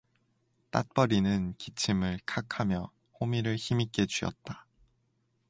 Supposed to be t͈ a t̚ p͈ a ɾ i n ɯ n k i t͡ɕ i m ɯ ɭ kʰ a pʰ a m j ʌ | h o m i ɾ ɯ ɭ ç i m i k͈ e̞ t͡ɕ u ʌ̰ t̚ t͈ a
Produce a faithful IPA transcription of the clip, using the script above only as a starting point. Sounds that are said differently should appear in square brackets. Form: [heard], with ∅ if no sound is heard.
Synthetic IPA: t͈ a t̚ p͈ [ʌ] ɾ i n ɯ n k i [t͡ɕʰ] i m ɯ ɭ kʰ a [kʰ] a m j ʌ | h o m i ɾ ɯ ɭ ç i m i k͈ e̞ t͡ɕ u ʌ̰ t̚ t͈ a